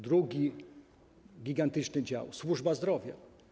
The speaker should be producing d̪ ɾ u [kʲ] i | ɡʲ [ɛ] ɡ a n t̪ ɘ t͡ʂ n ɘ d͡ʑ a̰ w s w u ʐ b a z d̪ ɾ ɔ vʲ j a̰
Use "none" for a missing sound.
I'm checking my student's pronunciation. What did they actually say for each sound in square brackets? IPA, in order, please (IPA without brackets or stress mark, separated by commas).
ɡʲ, i